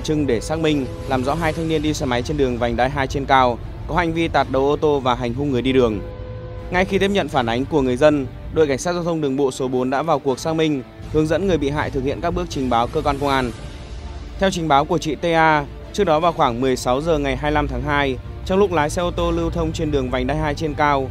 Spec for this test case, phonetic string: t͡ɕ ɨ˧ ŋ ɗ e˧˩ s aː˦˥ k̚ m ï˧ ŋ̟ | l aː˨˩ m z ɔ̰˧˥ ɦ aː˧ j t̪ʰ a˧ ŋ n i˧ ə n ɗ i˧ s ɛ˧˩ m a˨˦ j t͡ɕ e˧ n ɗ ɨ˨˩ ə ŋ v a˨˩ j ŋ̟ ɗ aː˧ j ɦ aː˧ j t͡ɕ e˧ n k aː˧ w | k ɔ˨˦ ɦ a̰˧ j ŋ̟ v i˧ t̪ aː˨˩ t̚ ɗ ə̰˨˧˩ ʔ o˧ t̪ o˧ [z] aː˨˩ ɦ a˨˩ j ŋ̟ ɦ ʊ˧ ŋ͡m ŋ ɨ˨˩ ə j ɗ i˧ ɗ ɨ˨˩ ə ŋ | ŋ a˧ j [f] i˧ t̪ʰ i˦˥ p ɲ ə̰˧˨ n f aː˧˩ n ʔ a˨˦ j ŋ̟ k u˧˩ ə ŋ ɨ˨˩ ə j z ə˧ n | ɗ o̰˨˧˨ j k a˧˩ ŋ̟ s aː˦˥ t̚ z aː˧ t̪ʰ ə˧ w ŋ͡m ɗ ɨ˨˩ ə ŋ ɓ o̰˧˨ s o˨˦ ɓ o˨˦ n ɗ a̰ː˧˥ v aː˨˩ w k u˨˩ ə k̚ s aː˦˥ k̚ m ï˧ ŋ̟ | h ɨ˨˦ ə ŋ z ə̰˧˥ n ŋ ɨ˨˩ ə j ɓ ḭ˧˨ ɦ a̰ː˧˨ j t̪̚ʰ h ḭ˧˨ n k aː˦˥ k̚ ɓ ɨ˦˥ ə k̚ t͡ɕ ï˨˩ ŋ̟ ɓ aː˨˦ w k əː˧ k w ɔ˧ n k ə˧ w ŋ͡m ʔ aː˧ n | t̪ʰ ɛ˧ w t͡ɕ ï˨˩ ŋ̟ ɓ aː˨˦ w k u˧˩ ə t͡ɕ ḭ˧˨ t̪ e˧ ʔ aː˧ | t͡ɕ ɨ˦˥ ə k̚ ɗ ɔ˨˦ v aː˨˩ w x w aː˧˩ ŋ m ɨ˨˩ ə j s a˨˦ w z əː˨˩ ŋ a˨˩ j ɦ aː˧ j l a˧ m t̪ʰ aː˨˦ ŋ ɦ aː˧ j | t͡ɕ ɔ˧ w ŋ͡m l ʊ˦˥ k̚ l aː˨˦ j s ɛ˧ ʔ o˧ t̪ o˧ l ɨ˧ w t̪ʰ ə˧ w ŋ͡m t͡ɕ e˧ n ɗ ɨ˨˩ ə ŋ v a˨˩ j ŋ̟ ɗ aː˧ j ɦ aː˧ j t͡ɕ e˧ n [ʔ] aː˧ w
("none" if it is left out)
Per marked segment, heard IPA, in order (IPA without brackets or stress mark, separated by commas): v, x, k